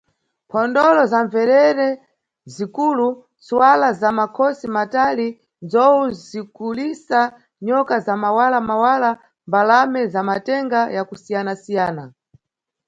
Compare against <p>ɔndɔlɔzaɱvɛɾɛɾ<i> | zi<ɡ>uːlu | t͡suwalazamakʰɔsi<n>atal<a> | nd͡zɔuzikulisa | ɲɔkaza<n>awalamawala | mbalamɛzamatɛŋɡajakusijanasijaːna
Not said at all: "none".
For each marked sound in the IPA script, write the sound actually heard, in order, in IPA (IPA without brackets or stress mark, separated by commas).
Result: pʰ, ɛ, k, m, i, m